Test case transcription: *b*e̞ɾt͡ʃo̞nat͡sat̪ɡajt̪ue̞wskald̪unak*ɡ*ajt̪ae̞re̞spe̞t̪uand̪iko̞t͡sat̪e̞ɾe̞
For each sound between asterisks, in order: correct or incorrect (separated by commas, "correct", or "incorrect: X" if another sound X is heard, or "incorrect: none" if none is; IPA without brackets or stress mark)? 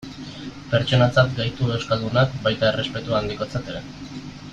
incorrect: p, incorrect: b